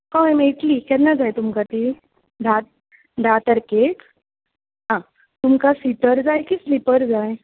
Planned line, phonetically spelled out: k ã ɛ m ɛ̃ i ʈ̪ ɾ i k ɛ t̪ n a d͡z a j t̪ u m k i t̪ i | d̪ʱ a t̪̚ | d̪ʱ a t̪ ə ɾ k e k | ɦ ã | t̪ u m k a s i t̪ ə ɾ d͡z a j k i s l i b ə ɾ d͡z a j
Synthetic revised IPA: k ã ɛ m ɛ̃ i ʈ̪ l i k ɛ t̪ n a d͡z a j t̪ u m k a t̪ i | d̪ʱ a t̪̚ | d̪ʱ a t̪ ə ɾ k e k | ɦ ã | t̪ u m k a s i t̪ ə ɾ d͡z a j k i s l i p ə ɾ d͡z a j

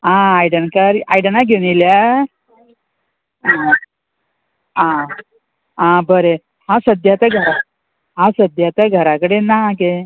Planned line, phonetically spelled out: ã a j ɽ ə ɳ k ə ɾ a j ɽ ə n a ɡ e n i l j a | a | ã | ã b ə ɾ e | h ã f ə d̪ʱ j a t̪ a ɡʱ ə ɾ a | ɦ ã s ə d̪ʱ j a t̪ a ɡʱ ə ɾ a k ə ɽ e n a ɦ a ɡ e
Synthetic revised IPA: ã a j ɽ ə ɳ k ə ɾ a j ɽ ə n a ɡ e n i l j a | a | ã | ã b ə ɾ e | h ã s ə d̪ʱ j a t̪ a ɡʱ ə ɾ a | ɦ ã s ə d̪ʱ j a t̪ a ɡʱ ə ɾ a k ə ɽ e n a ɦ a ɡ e

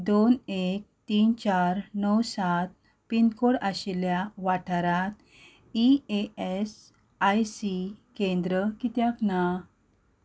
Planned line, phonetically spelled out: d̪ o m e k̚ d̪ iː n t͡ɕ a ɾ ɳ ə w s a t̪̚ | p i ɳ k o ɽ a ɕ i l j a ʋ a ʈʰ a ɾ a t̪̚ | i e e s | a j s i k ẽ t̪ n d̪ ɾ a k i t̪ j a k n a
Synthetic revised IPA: d̪ o n e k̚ t̪ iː n t͡ɕ a ɾ n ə w s a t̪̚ | p i n k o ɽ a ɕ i l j a ʋ a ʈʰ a ɾ a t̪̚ | i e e s | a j s i k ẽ n d̪ ɾ ə k i t̪ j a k n a

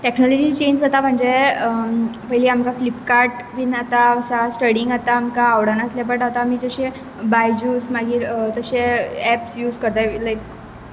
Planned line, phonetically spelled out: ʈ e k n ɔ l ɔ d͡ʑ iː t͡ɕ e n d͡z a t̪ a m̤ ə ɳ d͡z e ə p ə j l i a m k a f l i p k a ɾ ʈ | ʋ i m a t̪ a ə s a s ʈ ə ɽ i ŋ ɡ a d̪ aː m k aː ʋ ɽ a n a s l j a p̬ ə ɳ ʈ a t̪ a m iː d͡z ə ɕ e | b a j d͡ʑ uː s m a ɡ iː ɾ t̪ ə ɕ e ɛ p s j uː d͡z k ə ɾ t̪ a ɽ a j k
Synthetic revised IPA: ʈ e k n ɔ l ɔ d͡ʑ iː t͡ɕ e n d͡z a t̪ a m̤ ə ɳ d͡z e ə p ə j l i a m k a f l i p k a ɾ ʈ | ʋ i n a t̪ a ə s a s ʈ ə ɽ i ŋ ɡ a t̪ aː m k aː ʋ ɽ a n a s l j a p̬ ə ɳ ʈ a t̪ a m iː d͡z ə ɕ e | b a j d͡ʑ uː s m a ɡ iː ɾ t̪ ə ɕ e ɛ p s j uː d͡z k ə ɾ t̪ a l a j k

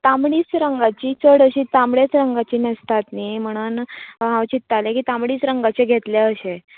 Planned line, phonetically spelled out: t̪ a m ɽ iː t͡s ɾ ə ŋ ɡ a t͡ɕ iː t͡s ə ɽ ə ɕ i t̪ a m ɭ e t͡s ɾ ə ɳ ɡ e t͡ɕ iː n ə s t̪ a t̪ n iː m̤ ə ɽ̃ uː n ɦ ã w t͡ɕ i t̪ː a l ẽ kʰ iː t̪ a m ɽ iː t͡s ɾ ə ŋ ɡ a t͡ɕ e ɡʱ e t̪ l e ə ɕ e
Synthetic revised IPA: t̪ a m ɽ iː t͡s ɾ ə ŋ ɡ a t͡ɕ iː t͡s ə ɽ ə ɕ i t̪ a m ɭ e t͡s ɾ ə ŋ ɡ a t͡ɕ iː n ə s t̪ a t̪ n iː m̤ ə ɽ̃ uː n ɦ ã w t͡ɕ i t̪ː a l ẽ k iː t̪ a m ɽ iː t͡s ɾ ə ŋ ɡ a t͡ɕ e ɡʱ e t̪ l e ə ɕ e

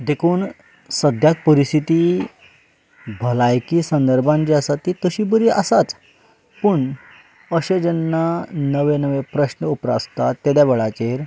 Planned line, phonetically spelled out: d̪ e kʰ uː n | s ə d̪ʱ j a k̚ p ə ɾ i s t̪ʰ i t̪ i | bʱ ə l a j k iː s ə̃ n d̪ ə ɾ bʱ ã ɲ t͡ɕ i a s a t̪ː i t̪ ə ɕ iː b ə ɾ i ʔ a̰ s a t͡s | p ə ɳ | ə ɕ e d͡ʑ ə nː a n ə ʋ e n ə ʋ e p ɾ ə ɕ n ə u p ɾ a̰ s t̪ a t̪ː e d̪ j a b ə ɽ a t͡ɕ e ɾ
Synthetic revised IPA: d̪ e kʰ uː n | s ə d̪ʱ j a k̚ p ə ɾ i s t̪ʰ i t̪ i | bʱ ə l a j k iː s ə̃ n d̪ ə ɾ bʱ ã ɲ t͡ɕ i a s a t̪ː i t̪ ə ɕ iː b ə ɾ i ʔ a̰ s a t͡s | p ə ɳ | ə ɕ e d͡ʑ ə nː a n ə ʋ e n ə ʋ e p ɾ ə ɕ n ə u p ɾ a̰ s t̪ a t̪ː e d̪ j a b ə ɭ a t͡ɕ e ɾ

